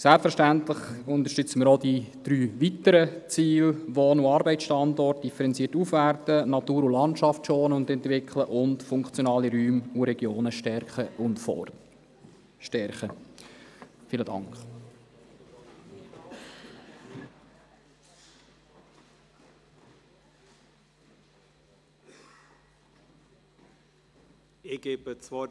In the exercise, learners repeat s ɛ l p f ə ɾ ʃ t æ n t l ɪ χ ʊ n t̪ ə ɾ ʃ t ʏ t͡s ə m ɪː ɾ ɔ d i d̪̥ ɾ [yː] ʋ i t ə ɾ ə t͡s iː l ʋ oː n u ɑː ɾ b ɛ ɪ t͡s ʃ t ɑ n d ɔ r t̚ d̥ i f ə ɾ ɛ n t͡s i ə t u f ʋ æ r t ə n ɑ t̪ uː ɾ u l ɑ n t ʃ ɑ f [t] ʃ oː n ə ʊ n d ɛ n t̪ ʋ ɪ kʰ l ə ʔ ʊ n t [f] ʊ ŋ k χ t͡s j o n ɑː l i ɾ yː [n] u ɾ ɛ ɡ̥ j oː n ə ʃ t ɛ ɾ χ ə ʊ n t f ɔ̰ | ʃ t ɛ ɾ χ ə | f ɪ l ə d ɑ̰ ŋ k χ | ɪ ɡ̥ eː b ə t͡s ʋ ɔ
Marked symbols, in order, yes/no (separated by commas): yes, yes, yes, no